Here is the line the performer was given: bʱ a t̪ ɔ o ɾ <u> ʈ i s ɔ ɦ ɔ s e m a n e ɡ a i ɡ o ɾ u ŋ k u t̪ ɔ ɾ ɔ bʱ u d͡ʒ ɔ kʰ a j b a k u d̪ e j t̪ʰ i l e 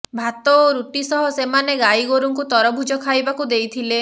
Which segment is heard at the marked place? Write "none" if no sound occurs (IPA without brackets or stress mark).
u